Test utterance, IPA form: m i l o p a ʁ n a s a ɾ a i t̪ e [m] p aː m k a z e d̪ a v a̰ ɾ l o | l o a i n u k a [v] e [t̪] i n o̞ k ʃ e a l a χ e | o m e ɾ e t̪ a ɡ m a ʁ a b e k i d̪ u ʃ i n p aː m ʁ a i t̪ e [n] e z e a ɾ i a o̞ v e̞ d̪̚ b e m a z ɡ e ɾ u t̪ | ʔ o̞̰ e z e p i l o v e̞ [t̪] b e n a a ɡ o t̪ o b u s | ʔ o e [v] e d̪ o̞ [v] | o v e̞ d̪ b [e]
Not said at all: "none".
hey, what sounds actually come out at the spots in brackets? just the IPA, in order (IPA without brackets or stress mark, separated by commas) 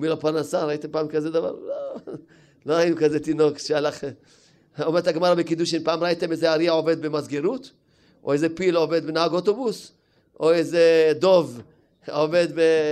m, z, t̪, m, d̪, z, v, e